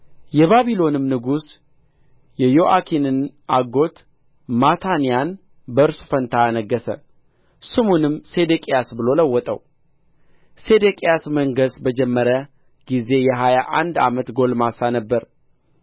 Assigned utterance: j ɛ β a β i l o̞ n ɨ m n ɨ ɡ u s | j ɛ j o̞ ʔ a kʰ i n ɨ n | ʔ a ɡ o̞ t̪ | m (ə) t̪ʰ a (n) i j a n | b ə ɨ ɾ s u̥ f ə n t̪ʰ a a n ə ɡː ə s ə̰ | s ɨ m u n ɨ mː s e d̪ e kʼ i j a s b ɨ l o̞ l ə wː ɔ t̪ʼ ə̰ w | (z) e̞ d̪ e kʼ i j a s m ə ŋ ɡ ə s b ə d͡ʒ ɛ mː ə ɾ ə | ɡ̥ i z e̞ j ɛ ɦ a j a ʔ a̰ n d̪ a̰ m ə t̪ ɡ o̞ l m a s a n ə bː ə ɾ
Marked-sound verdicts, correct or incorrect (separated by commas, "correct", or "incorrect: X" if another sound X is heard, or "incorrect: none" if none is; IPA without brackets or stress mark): incorrect: a, correct, incorrect: s